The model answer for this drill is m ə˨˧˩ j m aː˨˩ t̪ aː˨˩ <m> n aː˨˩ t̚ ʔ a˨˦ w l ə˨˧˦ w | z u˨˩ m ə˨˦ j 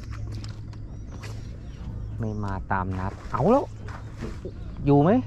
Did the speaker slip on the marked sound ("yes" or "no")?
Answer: no